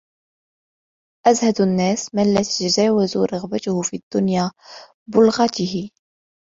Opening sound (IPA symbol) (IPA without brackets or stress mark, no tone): ʔ